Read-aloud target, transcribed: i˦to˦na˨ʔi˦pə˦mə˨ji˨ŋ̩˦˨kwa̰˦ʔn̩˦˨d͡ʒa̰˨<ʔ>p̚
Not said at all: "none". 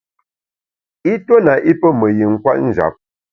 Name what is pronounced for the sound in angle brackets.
none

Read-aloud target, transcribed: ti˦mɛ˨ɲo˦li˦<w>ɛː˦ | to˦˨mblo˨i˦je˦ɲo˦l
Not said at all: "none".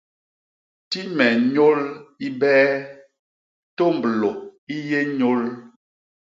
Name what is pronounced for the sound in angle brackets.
b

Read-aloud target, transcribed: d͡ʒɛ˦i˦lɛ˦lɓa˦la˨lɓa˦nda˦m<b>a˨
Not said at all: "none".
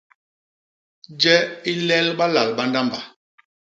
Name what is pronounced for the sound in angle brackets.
b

